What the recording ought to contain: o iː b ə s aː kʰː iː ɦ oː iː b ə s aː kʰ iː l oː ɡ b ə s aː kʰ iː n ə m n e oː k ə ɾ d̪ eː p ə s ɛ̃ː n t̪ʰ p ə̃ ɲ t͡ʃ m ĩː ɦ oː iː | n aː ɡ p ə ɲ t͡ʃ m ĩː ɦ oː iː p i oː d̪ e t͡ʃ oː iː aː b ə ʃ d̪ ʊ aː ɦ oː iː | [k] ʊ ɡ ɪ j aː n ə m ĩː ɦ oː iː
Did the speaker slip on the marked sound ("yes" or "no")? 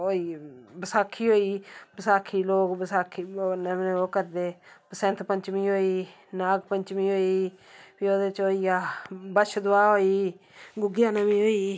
yes